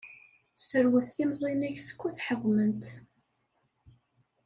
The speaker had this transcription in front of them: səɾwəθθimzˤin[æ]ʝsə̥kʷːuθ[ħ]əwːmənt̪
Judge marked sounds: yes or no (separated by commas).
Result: yes, yes